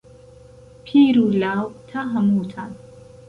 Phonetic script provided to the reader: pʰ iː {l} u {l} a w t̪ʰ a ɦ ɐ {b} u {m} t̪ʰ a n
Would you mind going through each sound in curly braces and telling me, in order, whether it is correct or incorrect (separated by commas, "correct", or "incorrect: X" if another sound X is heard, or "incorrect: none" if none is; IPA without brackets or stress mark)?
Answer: incorrect: ɾ, correct, incorrect: m, incorrect: none